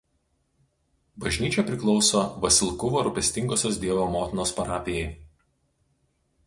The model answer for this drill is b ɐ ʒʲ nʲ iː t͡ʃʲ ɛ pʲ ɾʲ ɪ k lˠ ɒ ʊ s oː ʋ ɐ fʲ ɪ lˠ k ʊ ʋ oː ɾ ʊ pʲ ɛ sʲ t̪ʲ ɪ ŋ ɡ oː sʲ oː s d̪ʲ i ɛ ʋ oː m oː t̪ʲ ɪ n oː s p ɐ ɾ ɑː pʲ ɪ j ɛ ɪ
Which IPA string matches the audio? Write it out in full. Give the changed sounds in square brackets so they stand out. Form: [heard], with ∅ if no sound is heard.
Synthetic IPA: b ɐ ʒʲ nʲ iː t͡ʃʲ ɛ pʲ ɾʲ ɪ k lˠ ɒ ʊ s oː ʋ ɐ [sʲ] ɪ lˠ k ʊ ʋ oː ɾ ʊ pʲ ɛ sʲ t̪ʲ ɪ ŋ ɡ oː sʲ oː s d̪ʲ i ɛ ʋ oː m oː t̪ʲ ɪ n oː s p ɐ ɾ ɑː pʲ ɪ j ɛ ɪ

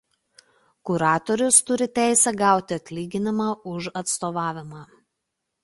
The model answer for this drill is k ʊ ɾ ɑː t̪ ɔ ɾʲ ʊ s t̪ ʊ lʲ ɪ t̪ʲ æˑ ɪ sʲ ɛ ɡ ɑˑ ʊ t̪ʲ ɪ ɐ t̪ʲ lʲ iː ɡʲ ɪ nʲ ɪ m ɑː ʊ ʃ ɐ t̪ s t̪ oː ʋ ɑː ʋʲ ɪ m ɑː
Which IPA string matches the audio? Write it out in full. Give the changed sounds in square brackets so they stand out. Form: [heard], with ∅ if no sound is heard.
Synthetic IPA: k ʊ ɾ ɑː t̪ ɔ ɾʲ ʊ s t̪ ʊ [ɾʲ] ɪ t̪ʲ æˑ ɪ sʲ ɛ ɡ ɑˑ ʊ t̪ʲ ɪ ɐ t̪ʲ lʲ iː ɡʲ ɪ nʲ ɪ m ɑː ʊ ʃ ɐ t̪ s t̪ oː ʋ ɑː ʋʲ ɪ m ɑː

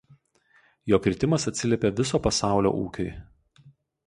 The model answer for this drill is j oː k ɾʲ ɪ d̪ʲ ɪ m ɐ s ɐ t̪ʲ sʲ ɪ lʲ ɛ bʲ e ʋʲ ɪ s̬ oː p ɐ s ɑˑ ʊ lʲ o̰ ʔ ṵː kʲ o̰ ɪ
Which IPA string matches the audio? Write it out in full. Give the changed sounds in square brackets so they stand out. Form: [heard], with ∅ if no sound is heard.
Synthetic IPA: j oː k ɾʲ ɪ [t̪ʲ] ɪ m ɐ s ɐ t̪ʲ sʲ ɪ lʲ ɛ [pʲ] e ʋʲ ɪ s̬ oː p ɐ s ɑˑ ʊ lʲ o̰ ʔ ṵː kʲ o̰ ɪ

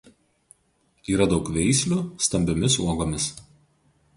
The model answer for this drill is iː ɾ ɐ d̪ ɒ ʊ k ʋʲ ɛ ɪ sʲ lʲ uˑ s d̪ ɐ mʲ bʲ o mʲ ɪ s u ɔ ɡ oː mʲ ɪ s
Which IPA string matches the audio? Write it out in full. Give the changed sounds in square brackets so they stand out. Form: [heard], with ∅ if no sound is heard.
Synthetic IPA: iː ɾ ɐ d̪ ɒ ʊ k ʋʲ ɛ ɪ sʲ lʲ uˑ s [t̪] ɐ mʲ bʲ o mʲ ɪ s u ɔ ɡ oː mʲ ɪ s

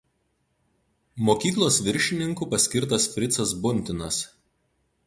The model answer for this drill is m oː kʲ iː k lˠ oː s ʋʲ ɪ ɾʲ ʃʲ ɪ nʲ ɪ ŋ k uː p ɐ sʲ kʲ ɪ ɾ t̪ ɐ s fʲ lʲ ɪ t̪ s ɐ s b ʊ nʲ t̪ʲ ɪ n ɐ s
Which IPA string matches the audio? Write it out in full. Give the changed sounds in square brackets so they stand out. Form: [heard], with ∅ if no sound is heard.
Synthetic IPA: m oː kʲ iː k lˠ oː s ʋʲ ɪ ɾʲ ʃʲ ɪ nʲ ɪ ŋ k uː p ɐ sʲ kʲ ɪ ɾ t̪ ɐ s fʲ [ɾʲ] ɪ t̪ s ɐ s b ʊ nʲ t̪ʲ ɪ n ɐ s

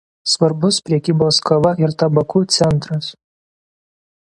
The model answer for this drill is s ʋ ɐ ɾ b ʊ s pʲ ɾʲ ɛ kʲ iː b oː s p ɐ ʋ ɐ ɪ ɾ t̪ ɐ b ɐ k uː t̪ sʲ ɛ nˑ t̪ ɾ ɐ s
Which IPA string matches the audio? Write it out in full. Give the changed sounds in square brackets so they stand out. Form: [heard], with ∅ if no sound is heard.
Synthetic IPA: s ʋ ɐ ɾ b ʊ s pʲ ɾʲ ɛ kʲ iː b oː s [k] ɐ ʋ ɐ ɪ ɾ t̪ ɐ b ɐ k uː t̪ sʲ ɛ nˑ t̪ ɾ ɐ s

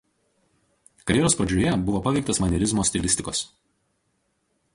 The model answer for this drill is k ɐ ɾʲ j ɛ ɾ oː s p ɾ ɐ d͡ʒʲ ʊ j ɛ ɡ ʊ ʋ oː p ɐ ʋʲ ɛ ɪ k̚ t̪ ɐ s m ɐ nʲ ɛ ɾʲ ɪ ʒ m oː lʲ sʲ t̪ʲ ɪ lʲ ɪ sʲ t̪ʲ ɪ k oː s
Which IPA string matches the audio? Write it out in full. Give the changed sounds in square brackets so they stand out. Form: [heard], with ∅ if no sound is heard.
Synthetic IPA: k ɐ ɾʲ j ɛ ɾ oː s p ɾ ɐ d͡ʒʲ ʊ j ɛ [b] ʊ ʋ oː p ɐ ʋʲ ɛ ɪ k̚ t̪ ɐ s m ɐ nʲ ɛ ɾʲ ɪ [z] m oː [∅] sʲ t̪ʲ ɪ lʲ ɪ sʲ t̪ʲ ɪ k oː s

